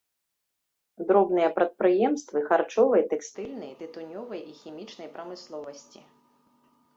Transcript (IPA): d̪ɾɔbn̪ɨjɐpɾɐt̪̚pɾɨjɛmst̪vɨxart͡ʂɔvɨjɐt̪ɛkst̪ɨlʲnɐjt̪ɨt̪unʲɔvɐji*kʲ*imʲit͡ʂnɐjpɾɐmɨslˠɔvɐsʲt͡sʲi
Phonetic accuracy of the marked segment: incorrect: xʲ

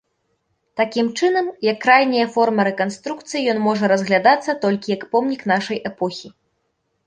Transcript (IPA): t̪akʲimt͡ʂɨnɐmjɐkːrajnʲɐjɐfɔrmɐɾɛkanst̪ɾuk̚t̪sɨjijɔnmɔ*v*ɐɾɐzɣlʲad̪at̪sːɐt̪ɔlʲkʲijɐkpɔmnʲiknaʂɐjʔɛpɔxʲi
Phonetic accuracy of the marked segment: incorrect: ʐ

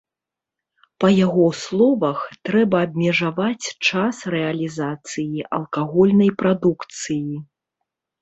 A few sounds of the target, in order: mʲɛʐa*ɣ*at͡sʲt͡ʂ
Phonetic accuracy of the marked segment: incorrect: v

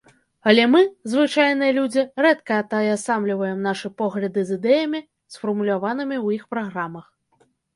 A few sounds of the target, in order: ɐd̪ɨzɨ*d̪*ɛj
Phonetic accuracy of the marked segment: correct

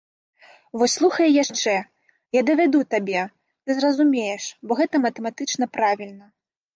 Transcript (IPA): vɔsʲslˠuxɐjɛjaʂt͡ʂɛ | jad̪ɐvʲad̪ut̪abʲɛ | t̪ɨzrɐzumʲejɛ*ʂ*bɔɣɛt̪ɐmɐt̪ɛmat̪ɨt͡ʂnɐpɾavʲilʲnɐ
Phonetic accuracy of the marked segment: correct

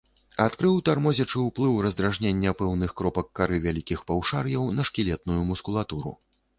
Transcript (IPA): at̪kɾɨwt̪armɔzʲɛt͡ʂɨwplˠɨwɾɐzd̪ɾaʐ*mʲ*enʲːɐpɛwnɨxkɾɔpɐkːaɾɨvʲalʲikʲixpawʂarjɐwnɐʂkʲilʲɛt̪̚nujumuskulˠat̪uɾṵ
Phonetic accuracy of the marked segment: incorrect: nʲ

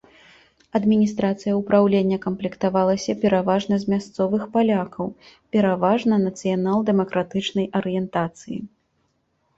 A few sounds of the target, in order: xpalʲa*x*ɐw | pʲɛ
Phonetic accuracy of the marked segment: incorrect: k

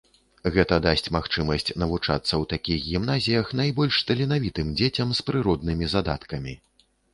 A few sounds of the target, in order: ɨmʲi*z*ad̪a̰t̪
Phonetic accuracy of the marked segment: correct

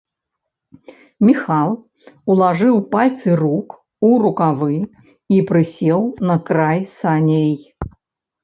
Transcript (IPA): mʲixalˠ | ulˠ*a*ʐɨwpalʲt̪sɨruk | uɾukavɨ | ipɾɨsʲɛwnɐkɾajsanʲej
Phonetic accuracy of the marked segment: correct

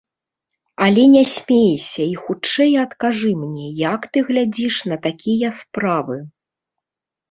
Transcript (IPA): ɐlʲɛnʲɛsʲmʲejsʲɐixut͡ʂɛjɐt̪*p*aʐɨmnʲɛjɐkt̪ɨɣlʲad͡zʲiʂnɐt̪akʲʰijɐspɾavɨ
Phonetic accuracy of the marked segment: incorrect: k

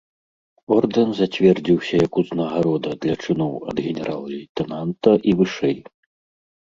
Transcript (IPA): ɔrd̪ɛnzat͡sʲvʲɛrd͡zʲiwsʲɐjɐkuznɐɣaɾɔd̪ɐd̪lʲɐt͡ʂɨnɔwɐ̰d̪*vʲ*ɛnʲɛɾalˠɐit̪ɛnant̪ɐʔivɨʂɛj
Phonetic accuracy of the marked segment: incorrect: ɣʲ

